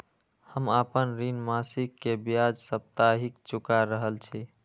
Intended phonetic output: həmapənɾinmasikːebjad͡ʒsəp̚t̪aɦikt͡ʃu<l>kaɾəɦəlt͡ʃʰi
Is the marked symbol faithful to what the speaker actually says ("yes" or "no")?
no